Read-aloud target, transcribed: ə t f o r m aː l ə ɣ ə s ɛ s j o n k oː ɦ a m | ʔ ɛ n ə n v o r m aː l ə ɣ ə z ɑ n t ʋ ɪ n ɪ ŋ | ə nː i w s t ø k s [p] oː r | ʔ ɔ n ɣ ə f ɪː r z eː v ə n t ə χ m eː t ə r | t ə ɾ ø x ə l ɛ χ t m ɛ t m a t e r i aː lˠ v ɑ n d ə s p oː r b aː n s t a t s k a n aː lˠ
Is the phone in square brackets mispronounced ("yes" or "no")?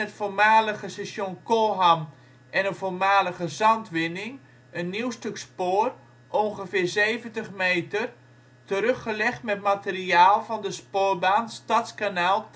no